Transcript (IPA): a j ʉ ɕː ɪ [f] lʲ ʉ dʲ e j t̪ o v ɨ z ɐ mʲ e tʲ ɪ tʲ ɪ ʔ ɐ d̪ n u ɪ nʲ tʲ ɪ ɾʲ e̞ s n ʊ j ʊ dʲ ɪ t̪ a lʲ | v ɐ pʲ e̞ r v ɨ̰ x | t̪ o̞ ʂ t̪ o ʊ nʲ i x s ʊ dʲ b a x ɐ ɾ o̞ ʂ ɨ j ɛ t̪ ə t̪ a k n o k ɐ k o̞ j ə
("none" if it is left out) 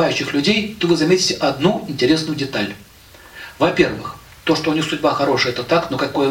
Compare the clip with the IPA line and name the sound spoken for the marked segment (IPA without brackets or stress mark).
x